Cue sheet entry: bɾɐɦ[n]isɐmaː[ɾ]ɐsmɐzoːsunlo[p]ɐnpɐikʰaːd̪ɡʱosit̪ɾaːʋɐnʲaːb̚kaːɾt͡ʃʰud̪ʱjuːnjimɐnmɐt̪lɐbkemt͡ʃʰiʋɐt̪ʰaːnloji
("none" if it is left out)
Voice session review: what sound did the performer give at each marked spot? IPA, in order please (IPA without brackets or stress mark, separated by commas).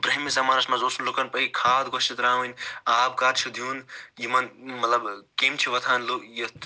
m, ɾ, k